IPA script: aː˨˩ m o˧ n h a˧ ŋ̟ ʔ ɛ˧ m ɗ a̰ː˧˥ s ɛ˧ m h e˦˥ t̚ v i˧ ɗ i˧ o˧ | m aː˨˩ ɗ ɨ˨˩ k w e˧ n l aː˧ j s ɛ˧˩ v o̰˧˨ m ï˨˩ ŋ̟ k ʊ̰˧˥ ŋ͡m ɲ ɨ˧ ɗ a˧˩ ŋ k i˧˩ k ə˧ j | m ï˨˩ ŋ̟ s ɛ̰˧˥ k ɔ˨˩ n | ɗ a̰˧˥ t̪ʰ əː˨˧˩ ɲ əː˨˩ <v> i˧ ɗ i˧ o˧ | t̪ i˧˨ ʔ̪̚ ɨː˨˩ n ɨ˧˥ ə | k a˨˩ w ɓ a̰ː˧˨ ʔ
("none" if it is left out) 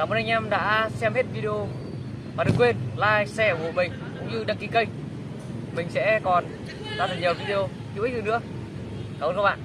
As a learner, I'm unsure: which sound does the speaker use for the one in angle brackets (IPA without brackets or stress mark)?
v